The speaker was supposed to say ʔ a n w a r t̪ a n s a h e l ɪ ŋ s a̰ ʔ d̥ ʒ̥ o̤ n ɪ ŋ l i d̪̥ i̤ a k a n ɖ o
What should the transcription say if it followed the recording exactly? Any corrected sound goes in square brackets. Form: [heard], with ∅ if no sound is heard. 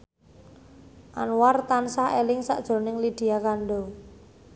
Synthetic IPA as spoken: ʔ a n w a r t̪ a n s a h e l ɪ ŋ s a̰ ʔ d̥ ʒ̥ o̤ n ɪ ŋ l i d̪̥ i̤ a k a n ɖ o